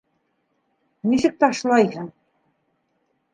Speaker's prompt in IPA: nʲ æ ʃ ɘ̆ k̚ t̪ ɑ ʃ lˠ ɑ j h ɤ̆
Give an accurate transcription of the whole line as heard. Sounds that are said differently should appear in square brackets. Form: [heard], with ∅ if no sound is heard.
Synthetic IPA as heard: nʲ [i] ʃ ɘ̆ k̚ t̪ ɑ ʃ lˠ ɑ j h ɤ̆